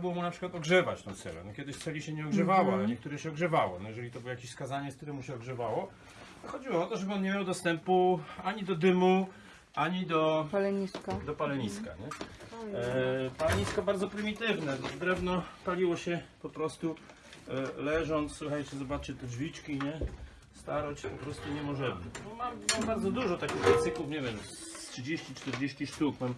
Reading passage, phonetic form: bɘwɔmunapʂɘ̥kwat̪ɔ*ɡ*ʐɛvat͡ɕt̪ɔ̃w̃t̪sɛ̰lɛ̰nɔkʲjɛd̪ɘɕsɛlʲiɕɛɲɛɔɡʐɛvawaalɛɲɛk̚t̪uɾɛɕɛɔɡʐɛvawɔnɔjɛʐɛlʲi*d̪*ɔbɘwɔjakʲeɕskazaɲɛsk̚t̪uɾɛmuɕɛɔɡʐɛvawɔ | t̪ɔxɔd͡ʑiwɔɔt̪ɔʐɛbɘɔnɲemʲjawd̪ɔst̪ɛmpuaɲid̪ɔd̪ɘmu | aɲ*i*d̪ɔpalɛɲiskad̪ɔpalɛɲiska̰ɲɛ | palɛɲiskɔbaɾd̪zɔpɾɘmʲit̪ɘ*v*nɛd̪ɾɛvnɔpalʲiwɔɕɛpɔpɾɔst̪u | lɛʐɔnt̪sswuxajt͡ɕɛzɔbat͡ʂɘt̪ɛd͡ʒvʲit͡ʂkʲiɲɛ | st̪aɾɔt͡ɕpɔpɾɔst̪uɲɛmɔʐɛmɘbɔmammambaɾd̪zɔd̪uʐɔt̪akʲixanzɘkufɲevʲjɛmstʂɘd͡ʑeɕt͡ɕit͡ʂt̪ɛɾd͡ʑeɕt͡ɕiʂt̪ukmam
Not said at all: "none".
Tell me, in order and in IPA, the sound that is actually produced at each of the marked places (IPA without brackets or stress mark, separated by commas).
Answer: ɡ, t̪, i, v